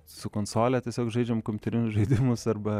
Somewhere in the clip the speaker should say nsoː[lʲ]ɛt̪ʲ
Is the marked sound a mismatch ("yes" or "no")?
no